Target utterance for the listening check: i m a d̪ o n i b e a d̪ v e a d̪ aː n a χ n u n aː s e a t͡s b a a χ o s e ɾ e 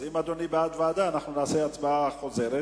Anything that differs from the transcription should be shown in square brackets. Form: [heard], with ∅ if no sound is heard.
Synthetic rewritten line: i m a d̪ o n i b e a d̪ v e a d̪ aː n a χ n u n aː s e a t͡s b a a χ o [z] e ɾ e